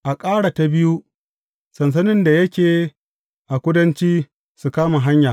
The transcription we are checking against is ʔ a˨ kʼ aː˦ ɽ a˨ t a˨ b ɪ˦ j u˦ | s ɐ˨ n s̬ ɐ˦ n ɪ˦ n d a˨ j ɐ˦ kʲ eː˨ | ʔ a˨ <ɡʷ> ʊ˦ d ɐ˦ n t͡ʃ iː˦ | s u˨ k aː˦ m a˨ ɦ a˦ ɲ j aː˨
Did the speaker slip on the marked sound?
yes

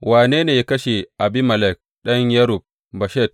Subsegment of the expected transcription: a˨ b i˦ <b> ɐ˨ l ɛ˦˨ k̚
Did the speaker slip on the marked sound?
yes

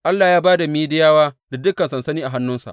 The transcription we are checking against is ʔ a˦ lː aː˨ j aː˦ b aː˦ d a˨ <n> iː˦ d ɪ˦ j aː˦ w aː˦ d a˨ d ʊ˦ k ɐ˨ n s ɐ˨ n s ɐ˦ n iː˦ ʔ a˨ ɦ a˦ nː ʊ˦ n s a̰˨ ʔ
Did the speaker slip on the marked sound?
yes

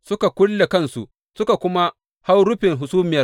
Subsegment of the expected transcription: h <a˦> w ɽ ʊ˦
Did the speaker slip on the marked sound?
no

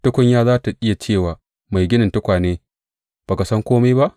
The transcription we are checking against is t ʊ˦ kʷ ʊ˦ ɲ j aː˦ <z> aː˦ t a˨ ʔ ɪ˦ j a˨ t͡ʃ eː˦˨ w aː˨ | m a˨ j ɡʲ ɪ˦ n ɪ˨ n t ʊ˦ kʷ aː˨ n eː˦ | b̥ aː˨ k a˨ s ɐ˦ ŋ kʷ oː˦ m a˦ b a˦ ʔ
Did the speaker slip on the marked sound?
no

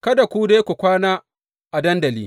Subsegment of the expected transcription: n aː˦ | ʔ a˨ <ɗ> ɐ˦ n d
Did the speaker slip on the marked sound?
yes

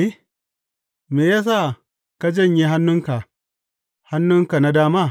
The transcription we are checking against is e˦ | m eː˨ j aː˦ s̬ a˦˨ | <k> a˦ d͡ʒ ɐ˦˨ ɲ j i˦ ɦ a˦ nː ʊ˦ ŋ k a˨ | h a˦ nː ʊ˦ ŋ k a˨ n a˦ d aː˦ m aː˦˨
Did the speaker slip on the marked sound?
no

